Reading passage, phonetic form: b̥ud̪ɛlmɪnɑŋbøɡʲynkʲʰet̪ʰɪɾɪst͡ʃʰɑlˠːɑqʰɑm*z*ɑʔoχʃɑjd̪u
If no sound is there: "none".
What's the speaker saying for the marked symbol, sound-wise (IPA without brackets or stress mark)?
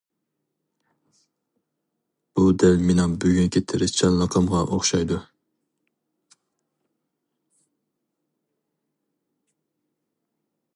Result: ʁ